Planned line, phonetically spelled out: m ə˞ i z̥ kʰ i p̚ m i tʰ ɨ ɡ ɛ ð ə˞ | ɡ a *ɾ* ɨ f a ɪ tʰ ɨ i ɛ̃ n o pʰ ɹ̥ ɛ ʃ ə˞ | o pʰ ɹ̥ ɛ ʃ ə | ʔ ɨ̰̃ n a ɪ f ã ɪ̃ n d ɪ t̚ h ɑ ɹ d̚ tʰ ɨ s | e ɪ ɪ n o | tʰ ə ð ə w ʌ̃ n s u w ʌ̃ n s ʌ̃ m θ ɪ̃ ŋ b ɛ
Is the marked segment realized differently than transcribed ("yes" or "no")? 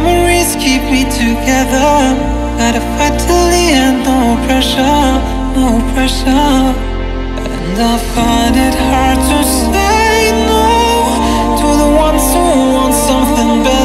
no